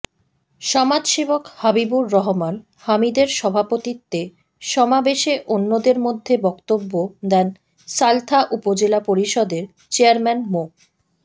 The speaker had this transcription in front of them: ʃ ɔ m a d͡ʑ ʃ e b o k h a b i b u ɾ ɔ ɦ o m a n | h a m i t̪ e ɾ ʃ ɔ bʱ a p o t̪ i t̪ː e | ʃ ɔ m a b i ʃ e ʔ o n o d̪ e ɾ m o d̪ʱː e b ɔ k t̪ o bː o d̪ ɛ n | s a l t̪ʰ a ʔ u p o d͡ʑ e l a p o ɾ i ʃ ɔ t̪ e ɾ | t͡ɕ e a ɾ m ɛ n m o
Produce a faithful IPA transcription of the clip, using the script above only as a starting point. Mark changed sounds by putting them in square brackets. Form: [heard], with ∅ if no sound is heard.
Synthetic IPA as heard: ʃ ɔ m a d͡ʑ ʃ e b o k h a b i b u [ɾː] ɔ ɦ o m a n | h a m i [d̪] e ɾ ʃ ɔ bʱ a p o t̪ i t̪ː e | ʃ ɔ m a b [e] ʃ e ʔ o [nː] o d̪ e ɾ m o d̪ʱː e b ɔ k t̪ o bː o d̪ ɛ n | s a l t̪ʰ a ʔ u p o d͡ʑ e l a p o ɾ i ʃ ɔ [d̪] e ɾ | t͡ɕ e a ɾ m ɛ n m o